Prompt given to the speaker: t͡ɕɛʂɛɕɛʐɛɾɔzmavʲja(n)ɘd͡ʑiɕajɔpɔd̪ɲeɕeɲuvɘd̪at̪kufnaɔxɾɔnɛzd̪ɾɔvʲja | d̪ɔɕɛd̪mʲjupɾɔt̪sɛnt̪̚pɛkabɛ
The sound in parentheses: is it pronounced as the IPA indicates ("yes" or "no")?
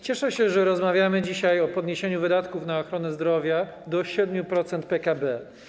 no